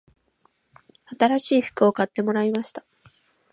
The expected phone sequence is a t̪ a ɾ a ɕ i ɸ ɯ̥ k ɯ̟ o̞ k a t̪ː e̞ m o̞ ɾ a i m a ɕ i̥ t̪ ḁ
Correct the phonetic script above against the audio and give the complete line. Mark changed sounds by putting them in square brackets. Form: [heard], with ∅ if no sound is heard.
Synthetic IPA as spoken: a t̪ a ɾ a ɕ [iː] ɸ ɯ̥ k ɯ̟ o̞ k a t̪ː e̞ m o̞ ɾ a i m a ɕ i̥ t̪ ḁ